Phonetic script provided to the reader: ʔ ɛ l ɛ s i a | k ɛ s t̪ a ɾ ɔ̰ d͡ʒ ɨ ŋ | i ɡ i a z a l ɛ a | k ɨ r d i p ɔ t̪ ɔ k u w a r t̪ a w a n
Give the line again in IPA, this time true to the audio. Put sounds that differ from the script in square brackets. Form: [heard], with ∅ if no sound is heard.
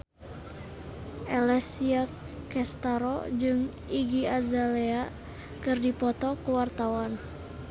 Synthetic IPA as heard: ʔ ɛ l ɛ s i a | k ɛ s t̪ a ɾ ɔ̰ d͡ʒ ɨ ŋ | i ɡ i a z a l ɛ a | k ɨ r d i p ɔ t̪ ɔ k u w a r t̪ a w a n